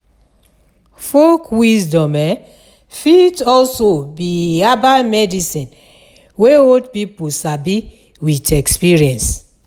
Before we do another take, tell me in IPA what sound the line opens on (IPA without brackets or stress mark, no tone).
f